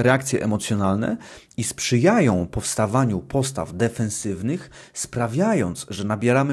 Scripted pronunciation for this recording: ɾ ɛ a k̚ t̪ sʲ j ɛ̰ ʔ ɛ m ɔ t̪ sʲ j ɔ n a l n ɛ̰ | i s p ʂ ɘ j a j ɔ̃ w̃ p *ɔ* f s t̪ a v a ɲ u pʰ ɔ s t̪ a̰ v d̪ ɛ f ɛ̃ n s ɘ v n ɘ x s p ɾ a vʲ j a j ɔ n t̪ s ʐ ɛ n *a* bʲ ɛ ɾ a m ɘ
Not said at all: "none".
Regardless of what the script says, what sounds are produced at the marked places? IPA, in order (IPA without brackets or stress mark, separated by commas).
ɔ, a